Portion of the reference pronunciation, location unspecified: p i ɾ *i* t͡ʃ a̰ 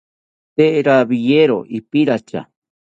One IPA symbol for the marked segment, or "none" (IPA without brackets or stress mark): a